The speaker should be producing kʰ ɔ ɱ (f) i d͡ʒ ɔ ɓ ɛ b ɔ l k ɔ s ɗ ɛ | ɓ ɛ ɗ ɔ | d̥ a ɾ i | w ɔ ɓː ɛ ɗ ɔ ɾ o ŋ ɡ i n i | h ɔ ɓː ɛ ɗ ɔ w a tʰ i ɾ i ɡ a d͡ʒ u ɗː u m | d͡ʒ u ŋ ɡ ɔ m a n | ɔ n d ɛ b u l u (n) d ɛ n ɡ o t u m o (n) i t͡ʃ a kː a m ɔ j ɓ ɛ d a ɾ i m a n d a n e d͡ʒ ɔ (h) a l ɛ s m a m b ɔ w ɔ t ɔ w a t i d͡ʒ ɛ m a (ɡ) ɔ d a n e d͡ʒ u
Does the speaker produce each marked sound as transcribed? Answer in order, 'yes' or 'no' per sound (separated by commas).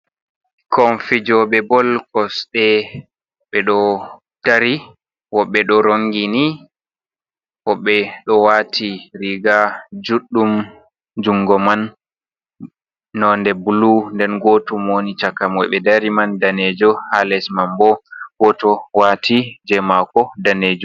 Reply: yes, yes, yes, yes, no